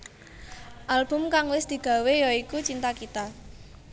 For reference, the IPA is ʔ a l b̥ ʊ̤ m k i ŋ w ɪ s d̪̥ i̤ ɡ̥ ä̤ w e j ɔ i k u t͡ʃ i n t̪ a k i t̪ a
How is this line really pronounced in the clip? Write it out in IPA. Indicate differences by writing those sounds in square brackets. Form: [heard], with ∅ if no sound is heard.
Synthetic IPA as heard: ʔ a l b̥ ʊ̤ m k [a] ŋ w ɪ s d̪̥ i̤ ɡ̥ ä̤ w e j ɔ i k u t͡ʃ i n t̪ a k i t̪ a